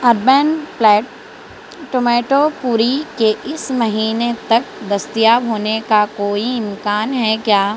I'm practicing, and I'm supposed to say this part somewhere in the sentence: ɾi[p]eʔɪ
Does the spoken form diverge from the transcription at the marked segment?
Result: yes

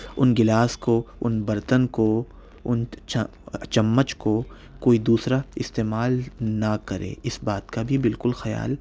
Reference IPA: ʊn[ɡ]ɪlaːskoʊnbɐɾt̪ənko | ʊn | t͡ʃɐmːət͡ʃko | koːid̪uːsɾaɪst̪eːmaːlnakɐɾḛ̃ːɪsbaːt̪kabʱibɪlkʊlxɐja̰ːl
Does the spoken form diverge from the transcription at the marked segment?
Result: no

